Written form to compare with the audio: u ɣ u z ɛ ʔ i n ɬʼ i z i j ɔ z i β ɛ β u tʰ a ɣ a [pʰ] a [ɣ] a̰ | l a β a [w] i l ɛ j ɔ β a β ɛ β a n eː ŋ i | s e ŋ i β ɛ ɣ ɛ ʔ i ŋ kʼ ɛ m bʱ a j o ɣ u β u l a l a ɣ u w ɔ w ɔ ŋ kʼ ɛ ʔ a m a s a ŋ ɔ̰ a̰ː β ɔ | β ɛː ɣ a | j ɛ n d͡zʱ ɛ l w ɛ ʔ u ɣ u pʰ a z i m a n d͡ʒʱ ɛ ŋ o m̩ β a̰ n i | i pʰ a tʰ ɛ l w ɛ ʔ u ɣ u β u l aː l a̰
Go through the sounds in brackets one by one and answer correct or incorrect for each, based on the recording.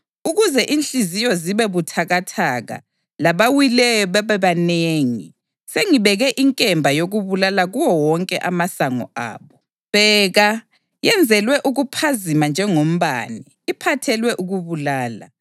incorrect: tʰ, correct, correct

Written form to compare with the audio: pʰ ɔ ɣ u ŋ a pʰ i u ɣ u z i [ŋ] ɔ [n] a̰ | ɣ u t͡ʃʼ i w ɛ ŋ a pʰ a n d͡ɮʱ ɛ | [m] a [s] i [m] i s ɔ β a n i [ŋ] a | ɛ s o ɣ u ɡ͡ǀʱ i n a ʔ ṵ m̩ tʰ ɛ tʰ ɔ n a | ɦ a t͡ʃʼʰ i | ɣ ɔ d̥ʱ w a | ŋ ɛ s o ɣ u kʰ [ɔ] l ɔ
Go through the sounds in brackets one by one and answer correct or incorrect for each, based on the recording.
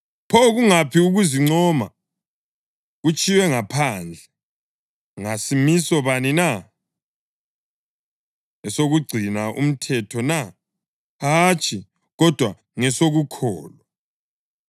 incorrect: ŋ͡ǀ, incorrect: m, incorrect: ŋ, correct, correct, incorrect: n, incorrect: ɔː

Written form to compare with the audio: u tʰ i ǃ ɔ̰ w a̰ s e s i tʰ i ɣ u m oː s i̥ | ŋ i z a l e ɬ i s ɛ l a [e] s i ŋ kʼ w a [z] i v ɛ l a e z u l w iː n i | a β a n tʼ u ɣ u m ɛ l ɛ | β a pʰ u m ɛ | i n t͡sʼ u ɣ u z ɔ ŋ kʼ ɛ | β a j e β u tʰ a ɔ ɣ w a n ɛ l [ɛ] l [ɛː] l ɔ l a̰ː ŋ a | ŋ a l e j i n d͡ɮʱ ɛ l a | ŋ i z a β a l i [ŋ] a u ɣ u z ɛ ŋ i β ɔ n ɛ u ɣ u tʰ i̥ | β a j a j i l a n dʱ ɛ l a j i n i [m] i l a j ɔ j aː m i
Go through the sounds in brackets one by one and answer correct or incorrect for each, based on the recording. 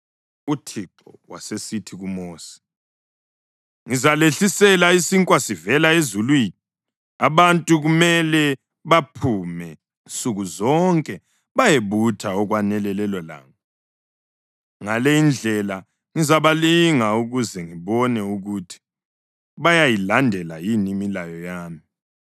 incorrect: i, incorrect: s, correct, incorrect: ɛ, correct, correct

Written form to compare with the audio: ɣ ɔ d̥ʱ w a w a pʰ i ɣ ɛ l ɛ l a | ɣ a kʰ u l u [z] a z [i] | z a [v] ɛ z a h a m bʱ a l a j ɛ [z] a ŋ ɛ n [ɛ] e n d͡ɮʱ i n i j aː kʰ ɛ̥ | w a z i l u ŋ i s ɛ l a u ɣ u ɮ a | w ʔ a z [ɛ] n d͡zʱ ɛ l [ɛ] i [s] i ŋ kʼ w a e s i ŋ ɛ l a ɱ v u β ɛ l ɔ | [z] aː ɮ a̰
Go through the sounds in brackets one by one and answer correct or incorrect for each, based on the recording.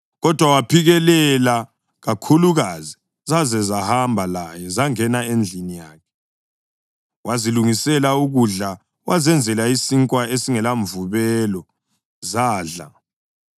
incorrect: ɣ, correct, incorrect: z, correct, incorrect: a, correct, incorrect: a, correct, correct

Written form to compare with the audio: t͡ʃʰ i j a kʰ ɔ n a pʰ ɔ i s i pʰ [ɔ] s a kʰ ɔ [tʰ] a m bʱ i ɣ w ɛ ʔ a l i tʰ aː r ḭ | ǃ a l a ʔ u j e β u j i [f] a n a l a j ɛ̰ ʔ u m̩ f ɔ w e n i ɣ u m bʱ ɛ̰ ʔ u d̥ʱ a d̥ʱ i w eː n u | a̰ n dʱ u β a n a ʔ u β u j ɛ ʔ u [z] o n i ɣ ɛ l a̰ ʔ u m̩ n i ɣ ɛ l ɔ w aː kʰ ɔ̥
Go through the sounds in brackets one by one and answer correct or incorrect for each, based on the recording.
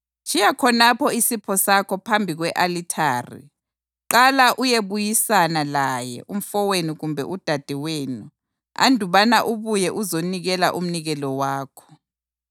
correct, incorrect: pʰ, incorrect: s, correct

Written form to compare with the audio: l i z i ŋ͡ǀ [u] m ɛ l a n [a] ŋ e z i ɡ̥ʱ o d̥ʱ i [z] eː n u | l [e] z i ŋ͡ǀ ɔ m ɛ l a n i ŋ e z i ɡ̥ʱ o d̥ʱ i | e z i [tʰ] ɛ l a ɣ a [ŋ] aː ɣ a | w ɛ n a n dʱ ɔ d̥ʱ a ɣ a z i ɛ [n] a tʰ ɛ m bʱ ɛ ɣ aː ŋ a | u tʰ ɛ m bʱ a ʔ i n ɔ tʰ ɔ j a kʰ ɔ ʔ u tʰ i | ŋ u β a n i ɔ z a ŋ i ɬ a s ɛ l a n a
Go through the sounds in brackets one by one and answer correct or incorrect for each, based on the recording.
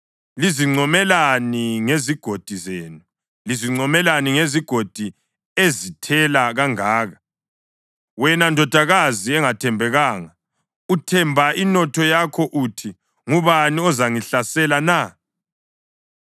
incorrect: ɔ, incorrect: i, correct, incorrect: i, correct, correct, incorrect: ŋ

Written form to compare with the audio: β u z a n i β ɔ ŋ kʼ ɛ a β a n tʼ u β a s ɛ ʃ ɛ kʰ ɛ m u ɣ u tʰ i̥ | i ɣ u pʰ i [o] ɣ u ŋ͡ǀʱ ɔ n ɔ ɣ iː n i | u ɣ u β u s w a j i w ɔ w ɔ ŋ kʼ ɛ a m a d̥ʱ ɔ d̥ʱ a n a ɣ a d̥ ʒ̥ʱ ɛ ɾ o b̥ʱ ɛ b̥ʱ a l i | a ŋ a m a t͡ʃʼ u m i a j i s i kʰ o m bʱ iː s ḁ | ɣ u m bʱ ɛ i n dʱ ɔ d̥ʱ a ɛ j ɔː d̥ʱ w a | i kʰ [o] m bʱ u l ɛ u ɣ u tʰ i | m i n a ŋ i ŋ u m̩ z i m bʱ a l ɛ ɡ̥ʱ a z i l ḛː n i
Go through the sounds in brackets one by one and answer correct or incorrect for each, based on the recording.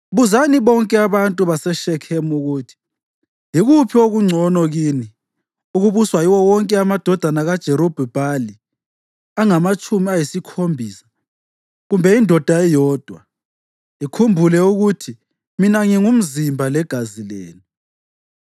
correct, incorrect: u

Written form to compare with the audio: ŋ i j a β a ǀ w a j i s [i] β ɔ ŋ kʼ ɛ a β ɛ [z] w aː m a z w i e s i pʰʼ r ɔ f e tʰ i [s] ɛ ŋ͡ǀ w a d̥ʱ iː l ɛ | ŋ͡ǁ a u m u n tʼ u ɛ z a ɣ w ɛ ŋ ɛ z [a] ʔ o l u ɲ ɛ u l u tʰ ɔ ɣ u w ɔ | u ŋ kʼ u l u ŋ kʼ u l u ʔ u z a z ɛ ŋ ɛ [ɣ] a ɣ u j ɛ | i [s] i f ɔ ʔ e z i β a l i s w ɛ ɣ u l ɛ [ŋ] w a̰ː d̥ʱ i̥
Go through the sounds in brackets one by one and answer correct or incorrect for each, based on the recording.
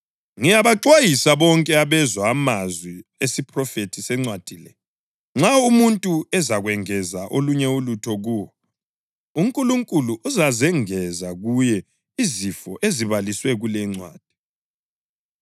incorrect: a, correct, correct, correct, incorrect: z, incorrect: z, incorrect: ŋ͡ǀ

